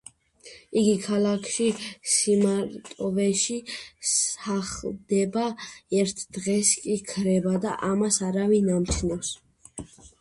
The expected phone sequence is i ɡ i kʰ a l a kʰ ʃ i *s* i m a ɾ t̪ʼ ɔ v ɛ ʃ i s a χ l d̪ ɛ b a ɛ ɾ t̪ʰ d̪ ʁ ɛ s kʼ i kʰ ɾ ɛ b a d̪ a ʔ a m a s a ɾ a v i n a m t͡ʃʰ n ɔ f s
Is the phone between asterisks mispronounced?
no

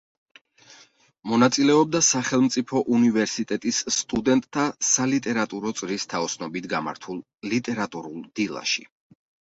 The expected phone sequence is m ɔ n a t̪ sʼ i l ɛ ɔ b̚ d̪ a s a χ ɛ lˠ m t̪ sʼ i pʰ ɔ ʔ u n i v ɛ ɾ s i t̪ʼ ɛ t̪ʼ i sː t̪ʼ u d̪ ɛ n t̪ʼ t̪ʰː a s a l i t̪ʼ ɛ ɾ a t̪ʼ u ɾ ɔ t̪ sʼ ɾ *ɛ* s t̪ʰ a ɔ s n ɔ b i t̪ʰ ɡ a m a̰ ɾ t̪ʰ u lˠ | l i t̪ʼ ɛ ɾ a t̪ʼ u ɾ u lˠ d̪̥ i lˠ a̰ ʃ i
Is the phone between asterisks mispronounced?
yes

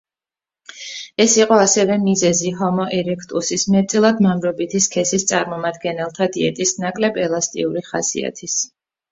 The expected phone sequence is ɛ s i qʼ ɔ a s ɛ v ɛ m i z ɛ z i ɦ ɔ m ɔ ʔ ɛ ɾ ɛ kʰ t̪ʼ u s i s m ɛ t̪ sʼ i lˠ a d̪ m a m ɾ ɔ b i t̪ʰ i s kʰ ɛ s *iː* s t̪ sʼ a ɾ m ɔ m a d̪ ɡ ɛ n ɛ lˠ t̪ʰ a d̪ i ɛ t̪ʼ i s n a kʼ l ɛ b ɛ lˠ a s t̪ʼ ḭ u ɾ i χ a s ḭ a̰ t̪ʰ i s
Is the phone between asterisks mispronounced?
yes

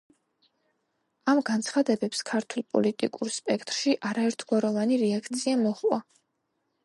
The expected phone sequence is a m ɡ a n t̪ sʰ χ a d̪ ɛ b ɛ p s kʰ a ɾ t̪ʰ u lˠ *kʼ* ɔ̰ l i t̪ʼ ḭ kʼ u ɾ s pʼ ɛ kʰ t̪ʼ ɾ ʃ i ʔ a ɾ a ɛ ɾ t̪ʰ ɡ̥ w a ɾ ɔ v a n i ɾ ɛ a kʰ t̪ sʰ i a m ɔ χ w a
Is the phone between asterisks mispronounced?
yes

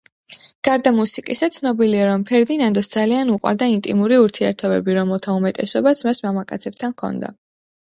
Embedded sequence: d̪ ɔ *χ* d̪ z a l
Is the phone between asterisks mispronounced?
yes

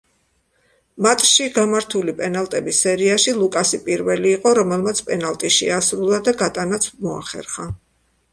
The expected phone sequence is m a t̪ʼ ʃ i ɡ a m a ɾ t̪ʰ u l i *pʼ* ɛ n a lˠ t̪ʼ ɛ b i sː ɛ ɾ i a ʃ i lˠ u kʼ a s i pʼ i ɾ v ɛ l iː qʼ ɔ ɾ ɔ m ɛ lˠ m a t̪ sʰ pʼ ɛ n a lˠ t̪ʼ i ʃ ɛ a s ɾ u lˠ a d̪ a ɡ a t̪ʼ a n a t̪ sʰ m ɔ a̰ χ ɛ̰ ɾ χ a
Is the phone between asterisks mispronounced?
no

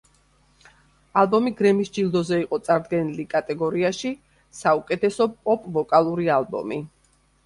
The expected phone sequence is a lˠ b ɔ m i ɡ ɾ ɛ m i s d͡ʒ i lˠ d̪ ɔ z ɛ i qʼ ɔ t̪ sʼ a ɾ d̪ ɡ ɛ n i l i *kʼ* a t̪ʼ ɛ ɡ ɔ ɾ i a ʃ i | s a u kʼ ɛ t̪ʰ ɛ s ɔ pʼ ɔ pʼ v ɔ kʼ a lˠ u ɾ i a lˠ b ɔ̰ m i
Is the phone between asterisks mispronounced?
no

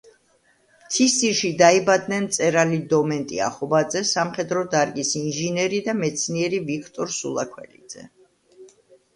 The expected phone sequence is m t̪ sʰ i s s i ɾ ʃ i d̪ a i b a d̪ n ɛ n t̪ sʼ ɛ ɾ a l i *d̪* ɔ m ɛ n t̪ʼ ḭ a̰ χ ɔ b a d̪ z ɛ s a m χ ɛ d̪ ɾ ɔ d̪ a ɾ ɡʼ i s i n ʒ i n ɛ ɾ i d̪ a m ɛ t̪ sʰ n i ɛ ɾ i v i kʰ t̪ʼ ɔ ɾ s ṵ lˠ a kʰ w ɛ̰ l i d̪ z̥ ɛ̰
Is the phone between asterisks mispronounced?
no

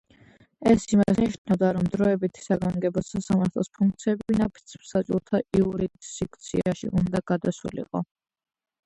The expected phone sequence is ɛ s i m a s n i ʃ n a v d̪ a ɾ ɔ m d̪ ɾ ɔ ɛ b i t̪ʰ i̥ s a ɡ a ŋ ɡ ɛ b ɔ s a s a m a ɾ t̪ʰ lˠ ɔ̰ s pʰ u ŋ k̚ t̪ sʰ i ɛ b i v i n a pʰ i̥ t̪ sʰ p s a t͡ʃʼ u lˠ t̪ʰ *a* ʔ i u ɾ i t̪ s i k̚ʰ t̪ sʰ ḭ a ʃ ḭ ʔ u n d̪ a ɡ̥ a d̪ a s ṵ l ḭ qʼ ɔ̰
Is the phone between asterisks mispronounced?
no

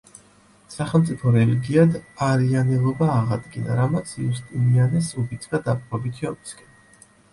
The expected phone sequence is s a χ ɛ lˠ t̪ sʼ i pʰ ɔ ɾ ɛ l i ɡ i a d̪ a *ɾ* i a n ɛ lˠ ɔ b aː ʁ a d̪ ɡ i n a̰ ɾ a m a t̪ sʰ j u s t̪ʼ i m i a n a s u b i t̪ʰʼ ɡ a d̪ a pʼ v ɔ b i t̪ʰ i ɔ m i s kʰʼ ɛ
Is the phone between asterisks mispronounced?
no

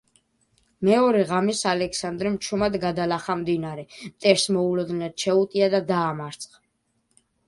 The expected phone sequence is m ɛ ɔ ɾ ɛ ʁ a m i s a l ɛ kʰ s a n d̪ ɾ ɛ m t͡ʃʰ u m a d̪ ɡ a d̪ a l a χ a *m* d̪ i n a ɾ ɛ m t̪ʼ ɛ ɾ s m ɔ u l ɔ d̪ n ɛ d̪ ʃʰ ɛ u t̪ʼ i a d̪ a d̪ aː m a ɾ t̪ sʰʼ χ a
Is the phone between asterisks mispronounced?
no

